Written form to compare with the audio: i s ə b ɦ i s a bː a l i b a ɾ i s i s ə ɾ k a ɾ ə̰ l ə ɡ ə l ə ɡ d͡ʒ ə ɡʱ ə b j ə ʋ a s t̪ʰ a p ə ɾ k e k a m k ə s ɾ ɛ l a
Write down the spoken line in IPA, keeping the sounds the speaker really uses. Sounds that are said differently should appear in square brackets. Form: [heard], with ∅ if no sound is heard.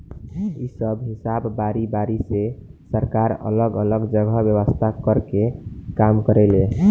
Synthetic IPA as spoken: i s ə b ɦ i s a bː a [ɾ] i b a ɾ i s [e] s ə ɾ k a ɾ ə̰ l ə ɡ ə l ə ɡ d͡ʒ ə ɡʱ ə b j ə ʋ [ə] s t̪ʰ a [k] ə ɾ k e k a m k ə [∅] ɾ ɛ l [e]